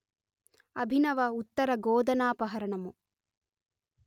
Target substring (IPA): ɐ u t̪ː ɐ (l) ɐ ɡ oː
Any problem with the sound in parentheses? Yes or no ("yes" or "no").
yes